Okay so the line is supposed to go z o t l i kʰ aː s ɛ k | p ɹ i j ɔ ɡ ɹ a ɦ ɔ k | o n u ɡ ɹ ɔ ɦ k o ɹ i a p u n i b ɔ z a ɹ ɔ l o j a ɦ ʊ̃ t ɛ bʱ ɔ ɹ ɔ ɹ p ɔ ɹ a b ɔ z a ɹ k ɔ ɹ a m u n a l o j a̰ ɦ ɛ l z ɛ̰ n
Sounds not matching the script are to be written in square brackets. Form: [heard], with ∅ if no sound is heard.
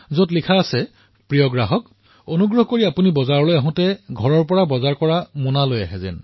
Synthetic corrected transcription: z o t l i kʰ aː s ɛ [∅] | p ɹ i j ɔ ɡ ɹ a ɦ ɔ k | o n u ɡ ɹ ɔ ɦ k o ɹ i a p u n i b ɔ z a ɹ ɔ l o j a ɦ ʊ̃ t ɛ [ɡʱ] ɔ ɹ ɔ ɹ p ɔ ɹ a b ɔ z a ɹ k ɔ ɹ a m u n a l o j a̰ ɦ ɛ [∅] z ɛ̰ n